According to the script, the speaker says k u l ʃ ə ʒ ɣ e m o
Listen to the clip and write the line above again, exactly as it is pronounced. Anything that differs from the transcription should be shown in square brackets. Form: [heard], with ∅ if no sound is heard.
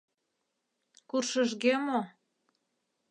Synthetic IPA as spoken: k u [r] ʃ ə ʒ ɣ e m o